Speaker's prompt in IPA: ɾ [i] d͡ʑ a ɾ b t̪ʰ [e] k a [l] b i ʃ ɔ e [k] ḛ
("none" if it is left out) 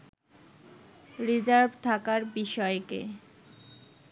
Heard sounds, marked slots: i, a, ɾ, k

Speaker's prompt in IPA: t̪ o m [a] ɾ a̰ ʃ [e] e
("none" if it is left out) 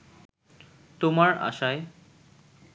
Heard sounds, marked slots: a, a

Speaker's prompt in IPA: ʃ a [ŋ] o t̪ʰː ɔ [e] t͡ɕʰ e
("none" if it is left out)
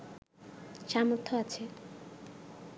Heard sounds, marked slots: m, a

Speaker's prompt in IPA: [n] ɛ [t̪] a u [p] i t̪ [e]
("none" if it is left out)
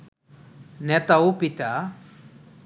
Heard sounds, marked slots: n, t̪, p, a

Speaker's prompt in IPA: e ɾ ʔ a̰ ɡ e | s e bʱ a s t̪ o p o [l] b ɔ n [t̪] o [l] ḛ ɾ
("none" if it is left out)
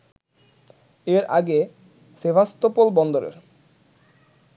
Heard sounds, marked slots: l, d̪, ɾ

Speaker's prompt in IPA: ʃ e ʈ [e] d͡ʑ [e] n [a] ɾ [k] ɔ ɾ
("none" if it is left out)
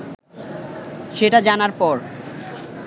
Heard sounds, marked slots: a, a, a, p

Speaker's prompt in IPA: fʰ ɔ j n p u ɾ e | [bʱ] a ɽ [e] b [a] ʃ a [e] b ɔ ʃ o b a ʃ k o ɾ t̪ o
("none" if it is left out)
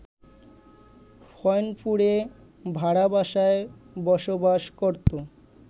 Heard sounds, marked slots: bʱ, a, a, e

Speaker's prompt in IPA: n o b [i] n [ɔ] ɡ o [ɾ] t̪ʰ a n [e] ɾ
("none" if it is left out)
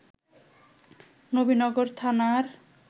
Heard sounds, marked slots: i, ɔ, ɾ, a

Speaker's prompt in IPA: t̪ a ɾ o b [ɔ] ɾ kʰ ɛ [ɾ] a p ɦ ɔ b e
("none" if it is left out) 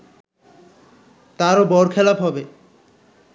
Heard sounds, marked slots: ɔ, l

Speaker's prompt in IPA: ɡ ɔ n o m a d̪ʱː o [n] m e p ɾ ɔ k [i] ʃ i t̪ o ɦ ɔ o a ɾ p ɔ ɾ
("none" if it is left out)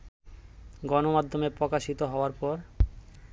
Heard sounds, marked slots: none, a

